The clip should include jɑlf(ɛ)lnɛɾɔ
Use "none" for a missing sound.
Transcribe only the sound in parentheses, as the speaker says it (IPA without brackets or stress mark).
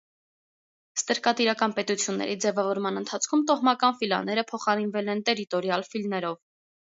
i